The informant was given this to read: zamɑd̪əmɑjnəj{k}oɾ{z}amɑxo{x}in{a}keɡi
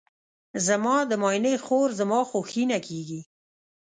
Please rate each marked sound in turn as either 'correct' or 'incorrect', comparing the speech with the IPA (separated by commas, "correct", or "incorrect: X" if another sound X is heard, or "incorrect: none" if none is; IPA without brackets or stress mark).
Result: incorrect: x, correct, correct, correct